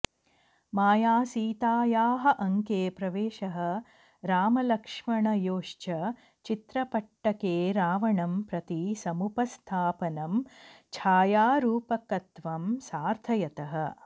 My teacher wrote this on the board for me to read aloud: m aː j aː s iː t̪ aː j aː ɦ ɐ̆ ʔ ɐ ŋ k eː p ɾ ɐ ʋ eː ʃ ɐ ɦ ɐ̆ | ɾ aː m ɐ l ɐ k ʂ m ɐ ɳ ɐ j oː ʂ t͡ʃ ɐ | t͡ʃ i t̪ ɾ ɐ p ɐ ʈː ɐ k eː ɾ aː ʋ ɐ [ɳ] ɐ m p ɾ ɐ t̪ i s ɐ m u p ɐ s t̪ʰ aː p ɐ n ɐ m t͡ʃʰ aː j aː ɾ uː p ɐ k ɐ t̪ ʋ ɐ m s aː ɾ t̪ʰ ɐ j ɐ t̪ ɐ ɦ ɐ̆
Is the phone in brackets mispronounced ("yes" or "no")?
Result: no